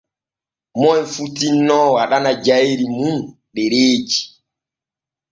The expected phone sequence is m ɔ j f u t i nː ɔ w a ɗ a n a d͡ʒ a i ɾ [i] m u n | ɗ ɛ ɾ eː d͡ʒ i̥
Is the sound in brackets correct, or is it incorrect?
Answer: correct